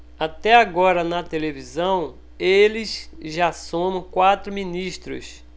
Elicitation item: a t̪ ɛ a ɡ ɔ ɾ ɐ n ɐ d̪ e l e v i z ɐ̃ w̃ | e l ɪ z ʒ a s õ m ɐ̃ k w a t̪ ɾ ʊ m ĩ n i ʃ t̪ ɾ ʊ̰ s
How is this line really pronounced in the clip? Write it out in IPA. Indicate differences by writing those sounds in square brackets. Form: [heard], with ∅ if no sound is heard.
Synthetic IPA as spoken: a t̪ ɛ a ɡ ɔ ɾ ɐ n ɐ [t̪] e l e v i z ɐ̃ w̃ | e l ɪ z ʒ a s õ m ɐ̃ k w a t̪ ɾ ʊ m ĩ n i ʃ t̪ ɾ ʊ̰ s